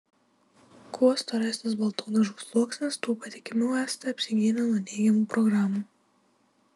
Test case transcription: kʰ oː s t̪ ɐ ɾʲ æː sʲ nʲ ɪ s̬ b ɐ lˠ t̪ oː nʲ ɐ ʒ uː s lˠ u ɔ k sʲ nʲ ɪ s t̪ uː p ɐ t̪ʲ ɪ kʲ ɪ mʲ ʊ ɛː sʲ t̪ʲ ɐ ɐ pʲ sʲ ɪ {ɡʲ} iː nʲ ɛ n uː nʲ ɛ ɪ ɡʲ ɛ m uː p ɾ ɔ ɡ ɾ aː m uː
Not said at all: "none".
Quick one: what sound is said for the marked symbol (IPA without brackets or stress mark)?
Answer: ɡʲ